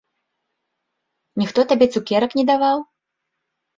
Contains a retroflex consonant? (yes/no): no